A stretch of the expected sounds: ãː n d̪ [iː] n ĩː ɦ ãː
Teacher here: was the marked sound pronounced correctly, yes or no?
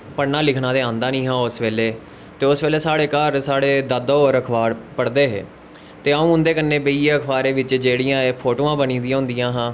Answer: no